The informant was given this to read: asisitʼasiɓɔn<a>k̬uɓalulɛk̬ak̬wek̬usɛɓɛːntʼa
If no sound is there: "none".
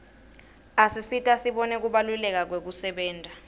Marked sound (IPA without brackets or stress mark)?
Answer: ɛ